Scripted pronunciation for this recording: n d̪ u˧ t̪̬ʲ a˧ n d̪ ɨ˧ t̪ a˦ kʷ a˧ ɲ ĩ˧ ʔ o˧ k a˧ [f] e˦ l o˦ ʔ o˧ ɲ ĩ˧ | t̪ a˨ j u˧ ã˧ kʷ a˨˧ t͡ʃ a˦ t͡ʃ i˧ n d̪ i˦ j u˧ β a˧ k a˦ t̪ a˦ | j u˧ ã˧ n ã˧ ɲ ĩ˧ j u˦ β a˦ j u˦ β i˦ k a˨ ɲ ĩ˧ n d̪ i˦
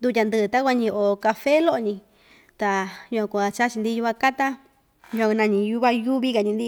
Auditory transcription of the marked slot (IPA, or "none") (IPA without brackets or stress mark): f